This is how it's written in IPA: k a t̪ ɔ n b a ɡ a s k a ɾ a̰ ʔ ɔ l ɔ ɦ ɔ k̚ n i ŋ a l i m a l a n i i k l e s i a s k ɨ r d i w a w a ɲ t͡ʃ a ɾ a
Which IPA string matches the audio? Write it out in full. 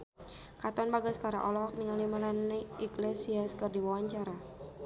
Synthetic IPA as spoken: k a t̪ ɔ n b a ɡ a s k a ɾ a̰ ʔ ɔ l ɔ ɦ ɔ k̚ n i ŋ a l i m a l a n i i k l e s i a s k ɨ r d i w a w a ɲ t͡ʃ a ɾ a